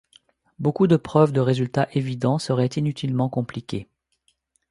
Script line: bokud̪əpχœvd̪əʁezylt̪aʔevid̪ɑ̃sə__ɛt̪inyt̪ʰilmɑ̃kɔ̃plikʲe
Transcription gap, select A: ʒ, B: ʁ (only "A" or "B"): B